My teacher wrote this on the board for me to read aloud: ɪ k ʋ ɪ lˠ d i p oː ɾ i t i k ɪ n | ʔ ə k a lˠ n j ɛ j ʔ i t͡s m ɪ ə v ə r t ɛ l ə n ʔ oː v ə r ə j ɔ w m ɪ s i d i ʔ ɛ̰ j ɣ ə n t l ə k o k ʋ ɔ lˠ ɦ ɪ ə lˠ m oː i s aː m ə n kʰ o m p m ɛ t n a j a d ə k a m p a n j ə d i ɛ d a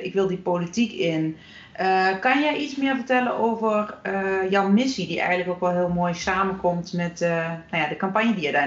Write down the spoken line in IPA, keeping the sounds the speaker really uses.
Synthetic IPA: ɪ k ʋ ɪ lˠ d i p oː l i t i k ɪ n | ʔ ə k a n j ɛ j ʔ i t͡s m ɪ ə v ə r t ɛ l ə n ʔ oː v ə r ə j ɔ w m ɪ s i d i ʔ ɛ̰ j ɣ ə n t l ə k o k ʋ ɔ lˠ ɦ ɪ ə lˠ m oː j s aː m ə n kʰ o m t m ɛ t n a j a d ə k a m p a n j ə d i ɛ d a